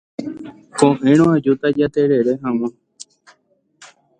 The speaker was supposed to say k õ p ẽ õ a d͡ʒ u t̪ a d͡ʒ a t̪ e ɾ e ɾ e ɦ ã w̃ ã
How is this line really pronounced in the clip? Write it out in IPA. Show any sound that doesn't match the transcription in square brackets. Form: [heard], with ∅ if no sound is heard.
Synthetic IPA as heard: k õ [ʔ] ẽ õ a d͡ʒ u t̪ a d͡ʒ a t̪ e ɾ e ɾ e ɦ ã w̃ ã